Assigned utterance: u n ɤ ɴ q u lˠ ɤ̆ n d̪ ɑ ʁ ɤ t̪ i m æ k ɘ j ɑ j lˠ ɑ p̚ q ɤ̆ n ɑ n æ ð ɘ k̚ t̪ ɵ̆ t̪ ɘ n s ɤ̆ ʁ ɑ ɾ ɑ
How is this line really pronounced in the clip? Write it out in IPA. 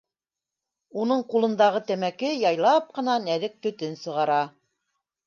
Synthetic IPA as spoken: u n ɤ ɴ q u lˠ ɤ̆ n d̪ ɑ ʁ ɤ t̪ æ m æ k ɘ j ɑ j lˠ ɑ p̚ q ɤ̆ n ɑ n æ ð ɘ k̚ t̪ ɵ̆ t̪ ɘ n s ɤ̆ ʁ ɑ ɾ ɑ